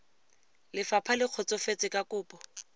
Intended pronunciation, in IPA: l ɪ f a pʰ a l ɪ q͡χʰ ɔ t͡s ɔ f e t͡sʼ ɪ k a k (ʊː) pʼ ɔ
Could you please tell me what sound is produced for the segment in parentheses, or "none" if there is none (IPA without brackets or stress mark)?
ʊː